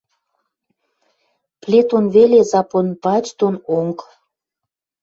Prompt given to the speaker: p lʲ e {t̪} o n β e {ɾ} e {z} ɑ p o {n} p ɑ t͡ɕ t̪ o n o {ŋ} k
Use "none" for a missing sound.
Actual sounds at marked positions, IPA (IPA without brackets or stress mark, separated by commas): t̪, l, z, n, ŋ